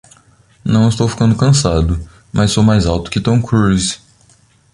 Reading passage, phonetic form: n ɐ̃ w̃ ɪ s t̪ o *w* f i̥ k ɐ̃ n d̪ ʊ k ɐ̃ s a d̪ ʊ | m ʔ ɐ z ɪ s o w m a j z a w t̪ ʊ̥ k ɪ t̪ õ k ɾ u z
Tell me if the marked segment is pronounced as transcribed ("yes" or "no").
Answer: yes